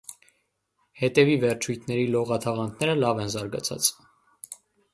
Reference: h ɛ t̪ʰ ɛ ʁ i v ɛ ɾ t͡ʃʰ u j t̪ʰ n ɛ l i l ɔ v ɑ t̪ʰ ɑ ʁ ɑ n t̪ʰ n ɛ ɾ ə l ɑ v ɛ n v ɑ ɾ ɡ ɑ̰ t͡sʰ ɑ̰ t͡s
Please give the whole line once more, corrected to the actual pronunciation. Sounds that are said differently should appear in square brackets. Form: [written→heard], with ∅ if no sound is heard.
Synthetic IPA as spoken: h ɛ [t̪ʰ→t̪] ɛ [ʁ→v] i v ɛ ɾ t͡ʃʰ u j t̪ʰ n ɛ [l→ɾ] i l ɔ [v→ʁ] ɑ t̪ʰ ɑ ʁ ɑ n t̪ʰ n ɛ ɾ ə l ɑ v ɛ n [v→z] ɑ ɾ ɡ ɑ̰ t͡sʰ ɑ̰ t͡s